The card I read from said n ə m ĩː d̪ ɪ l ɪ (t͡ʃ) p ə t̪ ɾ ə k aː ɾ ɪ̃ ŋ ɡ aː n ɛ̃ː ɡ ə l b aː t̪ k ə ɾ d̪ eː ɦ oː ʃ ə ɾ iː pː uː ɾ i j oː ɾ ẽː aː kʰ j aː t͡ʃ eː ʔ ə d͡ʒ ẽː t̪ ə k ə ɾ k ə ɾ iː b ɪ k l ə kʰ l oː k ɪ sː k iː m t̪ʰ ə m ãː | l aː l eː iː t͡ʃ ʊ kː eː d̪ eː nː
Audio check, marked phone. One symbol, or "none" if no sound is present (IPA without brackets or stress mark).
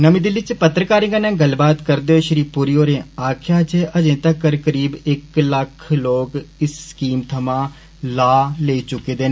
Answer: t͡ʃ